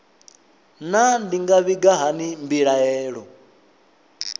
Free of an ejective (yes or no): yes